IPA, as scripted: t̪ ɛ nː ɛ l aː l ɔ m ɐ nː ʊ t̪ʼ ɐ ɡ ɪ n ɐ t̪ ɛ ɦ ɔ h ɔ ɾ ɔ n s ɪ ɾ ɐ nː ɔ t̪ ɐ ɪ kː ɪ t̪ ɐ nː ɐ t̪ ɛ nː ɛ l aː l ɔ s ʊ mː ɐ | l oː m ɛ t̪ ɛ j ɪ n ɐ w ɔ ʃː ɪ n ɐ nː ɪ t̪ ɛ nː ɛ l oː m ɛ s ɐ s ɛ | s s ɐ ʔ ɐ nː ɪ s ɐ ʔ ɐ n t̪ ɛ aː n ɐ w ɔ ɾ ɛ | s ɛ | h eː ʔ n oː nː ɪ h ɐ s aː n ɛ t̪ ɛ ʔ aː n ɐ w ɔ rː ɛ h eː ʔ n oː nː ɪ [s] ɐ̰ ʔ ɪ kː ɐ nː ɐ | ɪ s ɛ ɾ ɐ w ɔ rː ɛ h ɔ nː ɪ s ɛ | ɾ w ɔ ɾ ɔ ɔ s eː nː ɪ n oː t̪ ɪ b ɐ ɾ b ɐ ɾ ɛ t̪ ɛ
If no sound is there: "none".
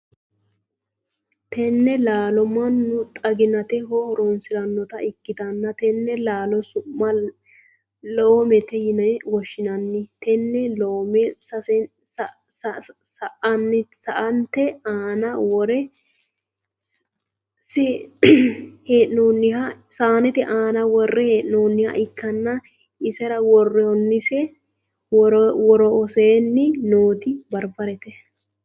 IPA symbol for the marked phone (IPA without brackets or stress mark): h